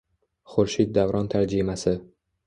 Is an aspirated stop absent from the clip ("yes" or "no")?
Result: no